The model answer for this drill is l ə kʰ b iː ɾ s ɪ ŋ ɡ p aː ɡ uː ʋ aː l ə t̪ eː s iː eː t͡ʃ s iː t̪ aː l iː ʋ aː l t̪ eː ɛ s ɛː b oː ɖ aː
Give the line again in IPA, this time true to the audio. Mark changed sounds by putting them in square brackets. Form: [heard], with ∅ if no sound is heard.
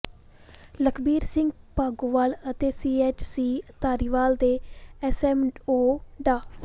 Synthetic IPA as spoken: l ə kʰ b iː ɾ s ɪ ŋ ɡ p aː ɡ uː ʋ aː l ə t̪ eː s iː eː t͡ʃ s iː t̪ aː [ɾ] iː ʋ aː l [d̪] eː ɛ s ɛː [m] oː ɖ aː